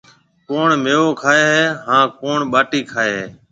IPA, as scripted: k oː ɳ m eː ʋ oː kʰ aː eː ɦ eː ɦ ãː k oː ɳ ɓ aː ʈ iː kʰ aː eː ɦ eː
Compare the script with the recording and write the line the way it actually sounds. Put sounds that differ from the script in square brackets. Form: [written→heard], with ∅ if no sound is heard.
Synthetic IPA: k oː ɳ m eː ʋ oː kʰ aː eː ɦ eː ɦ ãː k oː ɳ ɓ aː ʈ iː kʰ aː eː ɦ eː